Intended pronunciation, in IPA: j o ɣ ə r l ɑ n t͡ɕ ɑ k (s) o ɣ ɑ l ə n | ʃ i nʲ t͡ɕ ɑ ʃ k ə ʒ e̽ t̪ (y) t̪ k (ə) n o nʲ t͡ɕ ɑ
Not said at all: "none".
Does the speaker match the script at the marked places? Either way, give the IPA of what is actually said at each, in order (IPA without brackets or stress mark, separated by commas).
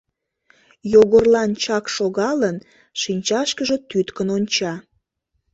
ʃ, y, ə